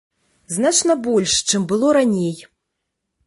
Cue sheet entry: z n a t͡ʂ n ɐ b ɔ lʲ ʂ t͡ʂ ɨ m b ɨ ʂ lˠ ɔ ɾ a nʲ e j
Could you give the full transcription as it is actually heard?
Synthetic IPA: z n a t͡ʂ n ɐ b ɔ lʲ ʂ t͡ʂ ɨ m b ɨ lˠ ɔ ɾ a nʲ e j